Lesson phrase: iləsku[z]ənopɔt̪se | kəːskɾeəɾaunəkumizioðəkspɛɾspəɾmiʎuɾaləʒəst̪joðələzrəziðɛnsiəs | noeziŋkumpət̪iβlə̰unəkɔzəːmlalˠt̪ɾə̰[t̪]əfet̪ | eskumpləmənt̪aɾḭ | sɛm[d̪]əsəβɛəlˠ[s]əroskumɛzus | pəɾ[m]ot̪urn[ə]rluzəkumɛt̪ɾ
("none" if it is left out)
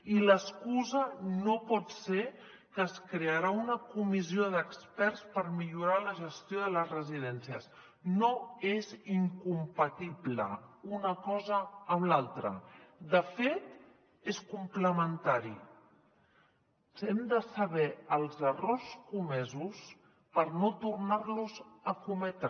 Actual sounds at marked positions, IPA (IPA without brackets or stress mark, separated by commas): z, d̪, d̪, z, n, a